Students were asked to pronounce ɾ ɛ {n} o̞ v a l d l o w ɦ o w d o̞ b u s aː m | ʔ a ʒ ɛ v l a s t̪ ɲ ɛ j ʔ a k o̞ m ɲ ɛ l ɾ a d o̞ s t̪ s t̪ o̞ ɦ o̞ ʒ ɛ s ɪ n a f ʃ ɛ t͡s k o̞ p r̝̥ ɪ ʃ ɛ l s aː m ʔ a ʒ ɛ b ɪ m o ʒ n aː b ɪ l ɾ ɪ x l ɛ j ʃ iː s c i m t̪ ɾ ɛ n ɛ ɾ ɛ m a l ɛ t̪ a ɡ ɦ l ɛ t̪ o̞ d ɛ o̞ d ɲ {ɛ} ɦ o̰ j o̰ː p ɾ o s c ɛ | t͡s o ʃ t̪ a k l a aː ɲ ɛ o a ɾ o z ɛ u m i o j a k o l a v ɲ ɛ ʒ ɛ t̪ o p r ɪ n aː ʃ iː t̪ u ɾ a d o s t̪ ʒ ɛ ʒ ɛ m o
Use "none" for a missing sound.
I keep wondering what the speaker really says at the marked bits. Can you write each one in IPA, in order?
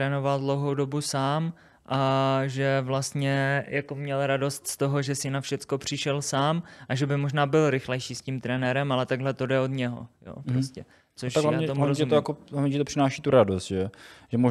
n, ɛ

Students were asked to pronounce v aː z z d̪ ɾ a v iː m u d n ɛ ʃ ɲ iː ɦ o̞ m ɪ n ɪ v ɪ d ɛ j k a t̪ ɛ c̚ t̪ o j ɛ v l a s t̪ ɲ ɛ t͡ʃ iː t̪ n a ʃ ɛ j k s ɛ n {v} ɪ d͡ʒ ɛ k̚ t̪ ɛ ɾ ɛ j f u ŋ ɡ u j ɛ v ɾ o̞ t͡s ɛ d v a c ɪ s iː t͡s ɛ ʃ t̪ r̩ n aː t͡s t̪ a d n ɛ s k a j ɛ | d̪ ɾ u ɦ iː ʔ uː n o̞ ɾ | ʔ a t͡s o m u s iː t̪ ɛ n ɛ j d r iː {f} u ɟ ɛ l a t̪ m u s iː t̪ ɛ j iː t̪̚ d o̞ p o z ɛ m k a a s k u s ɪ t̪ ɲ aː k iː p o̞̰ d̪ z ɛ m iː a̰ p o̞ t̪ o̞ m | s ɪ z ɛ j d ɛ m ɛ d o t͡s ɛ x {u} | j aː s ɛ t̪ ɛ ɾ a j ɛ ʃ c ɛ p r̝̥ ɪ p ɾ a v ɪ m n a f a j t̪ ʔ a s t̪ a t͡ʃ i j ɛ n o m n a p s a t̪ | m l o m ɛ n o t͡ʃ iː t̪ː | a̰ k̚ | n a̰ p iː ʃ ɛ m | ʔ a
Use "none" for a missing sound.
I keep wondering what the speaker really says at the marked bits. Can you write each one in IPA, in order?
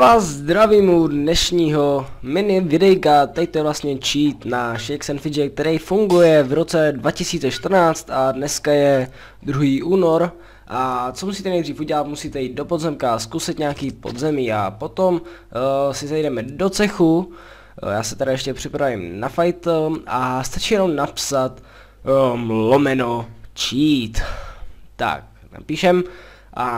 f, f, u

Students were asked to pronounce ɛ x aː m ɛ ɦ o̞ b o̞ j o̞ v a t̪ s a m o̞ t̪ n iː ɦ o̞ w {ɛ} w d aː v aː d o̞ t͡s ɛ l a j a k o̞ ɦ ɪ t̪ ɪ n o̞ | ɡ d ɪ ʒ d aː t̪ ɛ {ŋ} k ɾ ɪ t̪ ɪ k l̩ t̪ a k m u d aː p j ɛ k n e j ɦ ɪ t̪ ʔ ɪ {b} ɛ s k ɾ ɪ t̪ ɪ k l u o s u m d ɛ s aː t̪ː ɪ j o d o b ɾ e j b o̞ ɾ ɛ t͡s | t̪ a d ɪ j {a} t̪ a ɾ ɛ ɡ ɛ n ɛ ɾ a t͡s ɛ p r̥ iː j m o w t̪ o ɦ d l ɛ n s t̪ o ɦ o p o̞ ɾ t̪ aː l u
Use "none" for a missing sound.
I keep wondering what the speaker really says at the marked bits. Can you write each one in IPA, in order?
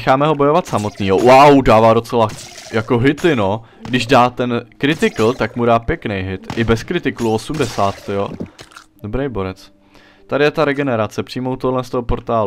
a, n, b, ɛ

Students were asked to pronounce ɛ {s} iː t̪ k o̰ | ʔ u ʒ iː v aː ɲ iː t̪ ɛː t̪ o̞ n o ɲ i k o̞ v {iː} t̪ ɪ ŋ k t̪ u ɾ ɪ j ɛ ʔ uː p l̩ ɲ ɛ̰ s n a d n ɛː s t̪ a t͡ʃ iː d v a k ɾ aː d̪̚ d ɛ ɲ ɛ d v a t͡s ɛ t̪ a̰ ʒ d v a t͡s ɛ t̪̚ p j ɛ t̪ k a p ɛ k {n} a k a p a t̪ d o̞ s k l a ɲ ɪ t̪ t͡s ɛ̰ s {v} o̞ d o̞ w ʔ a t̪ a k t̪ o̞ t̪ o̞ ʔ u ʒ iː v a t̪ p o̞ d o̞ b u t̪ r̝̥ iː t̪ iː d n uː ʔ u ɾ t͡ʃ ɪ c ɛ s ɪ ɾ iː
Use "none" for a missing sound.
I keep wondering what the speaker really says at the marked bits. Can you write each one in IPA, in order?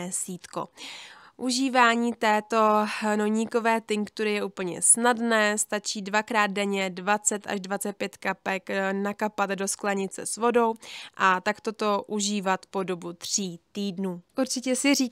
s, ɛː, n, v

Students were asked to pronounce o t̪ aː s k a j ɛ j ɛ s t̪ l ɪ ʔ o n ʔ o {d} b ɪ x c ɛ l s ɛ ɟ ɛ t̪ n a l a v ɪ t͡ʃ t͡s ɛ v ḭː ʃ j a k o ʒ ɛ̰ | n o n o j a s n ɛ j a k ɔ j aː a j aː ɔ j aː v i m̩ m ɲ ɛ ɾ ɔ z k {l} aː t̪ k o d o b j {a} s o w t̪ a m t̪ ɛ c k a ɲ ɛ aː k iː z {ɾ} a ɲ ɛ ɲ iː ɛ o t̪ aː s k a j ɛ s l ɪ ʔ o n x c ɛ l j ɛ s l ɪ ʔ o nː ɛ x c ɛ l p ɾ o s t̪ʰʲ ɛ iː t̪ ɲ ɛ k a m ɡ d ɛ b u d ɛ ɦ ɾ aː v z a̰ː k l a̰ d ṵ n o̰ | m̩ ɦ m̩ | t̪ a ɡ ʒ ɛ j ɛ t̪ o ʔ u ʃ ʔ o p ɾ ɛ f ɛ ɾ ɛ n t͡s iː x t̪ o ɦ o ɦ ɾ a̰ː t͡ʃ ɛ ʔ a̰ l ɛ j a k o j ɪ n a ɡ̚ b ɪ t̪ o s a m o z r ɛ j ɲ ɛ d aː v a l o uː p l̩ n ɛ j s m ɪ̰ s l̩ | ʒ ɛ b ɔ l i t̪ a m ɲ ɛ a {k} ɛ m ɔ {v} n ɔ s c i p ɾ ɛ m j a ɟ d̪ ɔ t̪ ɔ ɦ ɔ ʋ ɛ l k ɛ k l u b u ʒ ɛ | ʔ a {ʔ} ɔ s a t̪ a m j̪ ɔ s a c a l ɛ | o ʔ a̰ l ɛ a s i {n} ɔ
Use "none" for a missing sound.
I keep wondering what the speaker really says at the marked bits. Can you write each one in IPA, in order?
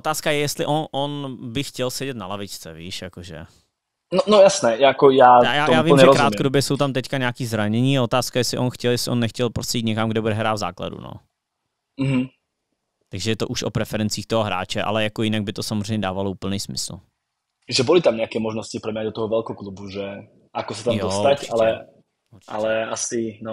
n, ɾ, ɛ, ɾ, k, ʒ, k, n

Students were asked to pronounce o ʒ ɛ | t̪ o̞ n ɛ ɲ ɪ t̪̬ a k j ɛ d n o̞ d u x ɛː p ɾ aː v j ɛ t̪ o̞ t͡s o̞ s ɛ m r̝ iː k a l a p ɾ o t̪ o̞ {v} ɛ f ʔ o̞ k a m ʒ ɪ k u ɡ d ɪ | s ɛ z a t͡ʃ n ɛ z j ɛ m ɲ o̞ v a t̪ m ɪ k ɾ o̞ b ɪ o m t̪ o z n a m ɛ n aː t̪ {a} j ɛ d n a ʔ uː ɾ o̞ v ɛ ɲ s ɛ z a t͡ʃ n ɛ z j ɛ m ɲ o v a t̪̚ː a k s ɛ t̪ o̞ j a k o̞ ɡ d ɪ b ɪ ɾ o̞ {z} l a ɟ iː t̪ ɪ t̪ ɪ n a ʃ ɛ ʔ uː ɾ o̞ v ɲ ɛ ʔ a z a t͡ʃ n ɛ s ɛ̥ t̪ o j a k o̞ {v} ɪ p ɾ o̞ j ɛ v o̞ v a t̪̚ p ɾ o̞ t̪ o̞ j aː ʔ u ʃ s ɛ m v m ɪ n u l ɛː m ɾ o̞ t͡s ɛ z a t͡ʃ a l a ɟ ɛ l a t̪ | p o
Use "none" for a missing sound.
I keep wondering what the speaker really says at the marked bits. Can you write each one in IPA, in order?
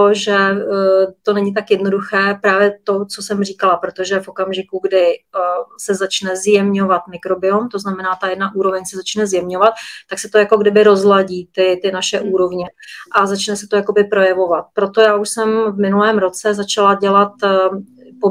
ʒ, a, z, b

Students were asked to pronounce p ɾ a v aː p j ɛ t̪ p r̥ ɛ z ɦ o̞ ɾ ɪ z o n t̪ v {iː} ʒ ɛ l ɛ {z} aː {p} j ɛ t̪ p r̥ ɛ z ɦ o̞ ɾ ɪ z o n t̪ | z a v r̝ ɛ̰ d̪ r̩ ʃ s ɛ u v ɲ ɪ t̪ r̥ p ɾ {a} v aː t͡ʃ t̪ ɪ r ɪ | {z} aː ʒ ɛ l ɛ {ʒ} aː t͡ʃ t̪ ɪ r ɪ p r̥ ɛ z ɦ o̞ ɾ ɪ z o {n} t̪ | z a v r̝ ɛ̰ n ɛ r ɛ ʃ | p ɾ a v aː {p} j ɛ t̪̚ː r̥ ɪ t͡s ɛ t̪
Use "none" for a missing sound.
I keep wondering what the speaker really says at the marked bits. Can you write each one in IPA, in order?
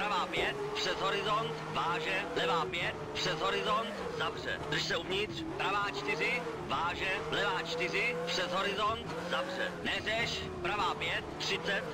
aː, v, p, a, v, v, n, p

